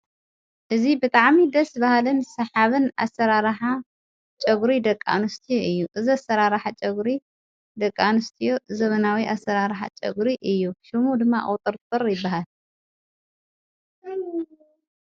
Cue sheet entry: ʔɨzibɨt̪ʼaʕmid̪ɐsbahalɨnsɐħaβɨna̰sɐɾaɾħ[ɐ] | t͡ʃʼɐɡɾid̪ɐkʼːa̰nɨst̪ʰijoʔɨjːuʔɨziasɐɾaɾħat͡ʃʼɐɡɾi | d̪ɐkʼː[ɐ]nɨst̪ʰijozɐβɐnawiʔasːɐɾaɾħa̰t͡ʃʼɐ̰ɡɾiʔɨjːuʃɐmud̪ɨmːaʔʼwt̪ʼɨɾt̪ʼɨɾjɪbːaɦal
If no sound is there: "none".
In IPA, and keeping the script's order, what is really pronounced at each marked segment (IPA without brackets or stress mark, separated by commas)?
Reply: a, a